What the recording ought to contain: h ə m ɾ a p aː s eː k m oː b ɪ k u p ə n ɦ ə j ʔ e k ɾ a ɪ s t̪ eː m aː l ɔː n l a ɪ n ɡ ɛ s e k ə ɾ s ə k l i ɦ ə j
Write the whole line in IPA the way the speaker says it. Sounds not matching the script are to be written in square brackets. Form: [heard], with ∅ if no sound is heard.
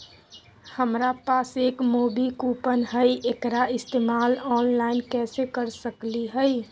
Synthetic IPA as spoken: h ə m ɾ a p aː s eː k m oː b [i] k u p ə n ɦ ə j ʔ e k ɾ a ɪ s t̪ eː m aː l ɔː n l a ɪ n [k] ɛ s e k ə ɾ s ə k l i ɦ ə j